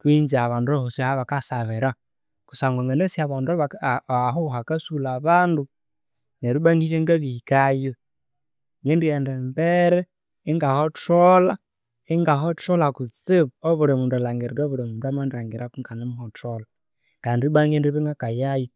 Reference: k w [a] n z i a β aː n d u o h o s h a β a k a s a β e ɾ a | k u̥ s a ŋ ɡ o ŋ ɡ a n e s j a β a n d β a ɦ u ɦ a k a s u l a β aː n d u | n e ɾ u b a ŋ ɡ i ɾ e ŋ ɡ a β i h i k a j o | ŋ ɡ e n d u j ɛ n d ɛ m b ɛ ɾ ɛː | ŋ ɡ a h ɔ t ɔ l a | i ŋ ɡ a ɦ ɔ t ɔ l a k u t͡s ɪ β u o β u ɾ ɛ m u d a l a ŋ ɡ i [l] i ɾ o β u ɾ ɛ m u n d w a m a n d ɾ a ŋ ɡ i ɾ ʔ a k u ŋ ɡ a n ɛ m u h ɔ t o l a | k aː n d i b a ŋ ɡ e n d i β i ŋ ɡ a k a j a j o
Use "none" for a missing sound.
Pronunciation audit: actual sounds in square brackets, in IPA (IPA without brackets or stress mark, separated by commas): i, ɾ